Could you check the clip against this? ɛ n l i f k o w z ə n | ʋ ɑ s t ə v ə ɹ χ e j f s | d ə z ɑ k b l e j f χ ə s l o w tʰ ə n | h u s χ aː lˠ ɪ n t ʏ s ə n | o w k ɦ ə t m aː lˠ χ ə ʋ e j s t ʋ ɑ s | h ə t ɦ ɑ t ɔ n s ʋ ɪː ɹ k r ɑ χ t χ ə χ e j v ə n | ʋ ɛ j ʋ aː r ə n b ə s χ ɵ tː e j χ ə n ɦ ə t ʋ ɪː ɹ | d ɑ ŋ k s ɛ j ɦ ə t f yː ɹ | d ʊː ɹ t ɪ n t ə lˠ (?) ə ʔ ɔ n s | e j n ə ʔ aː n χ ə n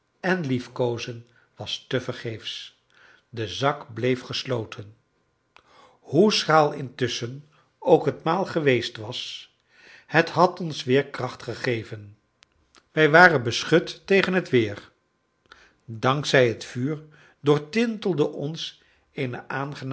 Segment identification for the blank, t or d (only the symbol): d